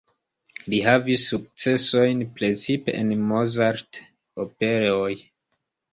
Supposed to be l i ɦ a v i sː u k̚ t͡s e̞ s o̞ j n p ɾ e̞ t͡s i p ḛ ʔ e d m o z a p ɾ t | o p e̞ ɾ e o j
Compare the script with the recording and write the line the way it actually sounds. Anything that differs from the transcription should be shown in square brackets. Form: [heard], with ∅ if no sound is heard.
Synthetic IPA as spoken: l i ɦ a v i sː u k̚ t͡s e̞ s o̞ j n p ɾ e̞ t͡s i p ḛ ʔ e [n] m o z a [∅] ɾ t | o p e̞ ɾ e o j